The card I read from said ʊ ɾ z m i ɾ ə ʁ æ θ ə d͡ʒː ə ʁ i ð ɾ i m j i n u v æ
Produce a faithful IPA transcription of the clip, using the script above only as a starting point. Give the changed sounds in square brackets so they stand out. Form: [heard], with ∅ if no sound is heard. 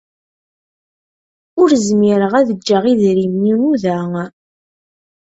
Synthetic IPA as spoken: ʊ ɾ z m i ɾ ə ʁ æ [ð] ə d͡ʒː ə ʁ i ð ɾ i m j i n u [ð] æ